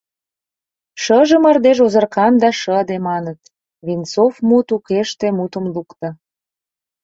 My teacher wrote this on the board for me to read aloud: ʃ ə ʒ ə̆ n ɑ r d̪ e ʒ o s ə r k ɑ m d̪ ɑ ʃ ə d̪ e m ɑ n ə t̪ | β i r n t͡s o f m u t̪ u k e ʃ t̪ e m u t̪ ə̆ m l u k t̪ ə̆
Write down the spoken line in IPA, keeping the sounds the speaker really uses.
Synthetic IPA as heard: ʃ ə ʒ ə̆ m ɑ r d̪ e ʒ o z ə r k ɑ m d̪ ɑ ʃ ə d̪ e m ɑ n ə t̪ | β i n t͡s o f m u t̪ u k e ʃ t̪ e m u t̪ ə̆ m l u k t̪ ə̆